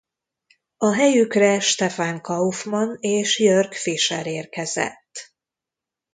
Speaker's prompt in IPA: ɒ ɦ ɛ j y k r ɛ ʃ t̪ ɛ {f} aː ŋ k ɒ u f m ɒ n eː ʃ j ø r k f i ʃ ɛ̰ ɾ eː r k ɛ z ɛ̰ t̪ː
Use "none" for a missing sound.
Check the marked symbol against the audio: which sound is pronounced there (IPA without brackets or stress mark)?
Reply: f